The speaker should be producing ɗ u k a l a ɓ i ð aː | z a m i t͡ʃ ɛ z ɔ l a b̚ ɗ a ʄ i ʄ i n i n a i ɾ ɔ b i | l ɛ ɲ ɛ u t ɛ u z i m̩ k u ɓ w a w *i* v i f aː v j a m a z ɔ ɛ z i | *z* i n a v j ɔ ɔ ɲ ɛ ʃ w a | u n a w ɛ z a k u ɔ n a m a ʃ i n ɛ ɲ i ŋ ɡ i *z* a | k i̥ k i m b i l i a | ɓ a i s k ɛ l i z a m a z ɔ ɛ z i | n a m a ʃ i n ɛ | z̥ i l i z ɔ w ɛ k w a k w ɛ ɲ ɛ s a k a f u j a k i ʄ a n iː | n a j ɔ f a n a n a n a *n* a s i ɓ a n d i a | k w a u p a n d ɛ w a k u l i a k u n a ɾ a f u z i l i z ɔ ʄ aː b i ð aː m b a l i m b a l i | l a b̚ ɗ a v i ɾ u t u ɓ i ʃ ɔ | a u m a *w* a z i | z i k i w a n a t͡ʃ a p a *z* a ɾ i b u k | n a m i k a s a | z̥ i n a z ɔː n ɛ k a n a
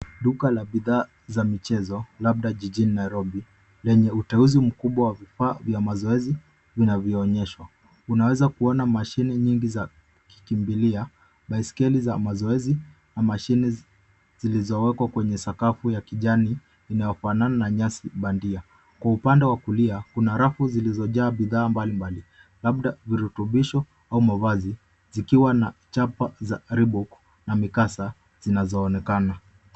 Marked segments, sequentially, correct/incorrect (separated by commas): incorrect, incorrect, correct, incorrect, incorrect, correct